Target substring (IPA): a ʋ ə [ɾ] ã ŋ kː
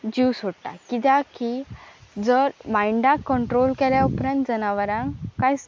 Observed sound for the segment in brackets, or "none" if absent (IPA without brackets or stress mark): ɾ